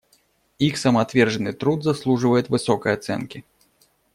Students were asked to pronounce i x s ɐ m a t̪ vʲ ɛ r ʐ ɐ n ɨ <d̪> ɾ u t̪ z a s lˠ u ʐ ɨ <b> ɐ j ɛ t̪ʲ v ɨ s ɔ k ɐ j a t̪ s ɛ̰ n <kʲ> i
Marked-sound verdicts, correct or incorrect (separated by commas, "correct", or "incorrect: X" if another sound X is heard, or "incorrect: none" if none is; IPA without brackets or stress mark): incorrect: t̪, incorrect: v, correct